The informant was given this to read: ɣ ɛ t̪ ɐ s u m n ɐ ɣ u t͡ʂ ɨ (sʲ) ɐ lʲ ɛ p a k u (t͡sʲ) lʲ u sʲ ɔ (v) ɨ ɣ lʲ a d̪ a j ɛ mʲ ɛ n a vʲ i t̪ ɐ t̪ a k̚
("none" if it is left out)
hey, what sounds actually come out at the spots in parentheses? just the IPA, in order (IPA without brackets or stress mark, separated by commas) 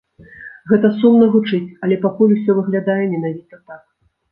t͡sʲ, none, v